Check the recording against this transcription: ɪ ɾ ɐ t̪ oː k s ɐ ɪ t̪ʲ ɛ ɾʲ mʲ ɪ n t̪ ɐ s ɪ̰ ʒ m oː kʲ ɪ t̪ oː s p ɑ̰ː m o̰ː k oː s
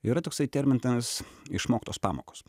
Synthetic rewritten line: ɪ ɾ ɐ t̪ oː k s ɐ ɪ t̪ʲ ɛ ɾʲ mʲ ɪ n t̪ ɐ s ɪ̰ ʃ m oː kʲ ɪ t̪ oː s p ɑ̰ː m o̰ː k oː s